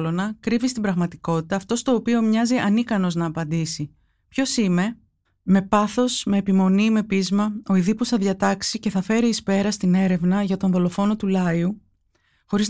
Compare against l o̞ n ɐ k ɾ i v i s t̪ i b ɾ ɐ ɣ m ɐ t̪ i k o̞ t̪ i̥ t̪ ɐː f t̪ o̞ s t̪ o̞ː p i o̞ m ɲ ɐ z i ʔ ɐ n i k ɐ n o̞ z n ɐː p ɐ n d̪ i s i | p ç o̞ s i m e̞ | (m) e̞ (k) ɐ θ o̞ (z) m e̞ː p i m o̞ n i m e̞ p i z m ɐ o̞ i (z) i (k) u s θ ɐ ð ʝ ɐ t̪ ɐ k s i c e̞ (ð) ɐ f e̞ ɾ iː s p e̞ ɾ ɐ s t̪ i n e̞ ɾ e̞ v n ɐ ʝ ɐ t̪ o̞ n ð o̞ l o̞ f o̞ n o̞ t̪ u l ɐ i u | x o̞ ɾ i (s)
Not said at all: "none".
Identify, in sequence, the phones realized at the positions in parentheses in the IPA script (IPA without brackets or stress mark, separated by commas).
m, p, s, ð, p, θ, z